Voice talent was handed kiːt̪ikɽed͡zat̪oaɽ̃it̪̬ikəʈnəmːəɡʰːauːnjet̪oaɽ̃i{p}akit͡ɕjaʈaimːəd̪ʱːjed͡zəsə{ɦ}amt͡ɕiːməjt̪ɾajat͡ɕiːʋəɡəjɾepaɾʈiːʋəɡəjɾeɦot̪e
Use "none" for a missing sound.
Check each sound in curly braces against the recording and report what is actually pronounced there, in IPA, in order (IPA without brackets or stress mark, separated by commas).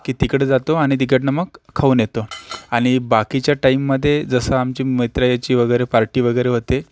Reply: b, none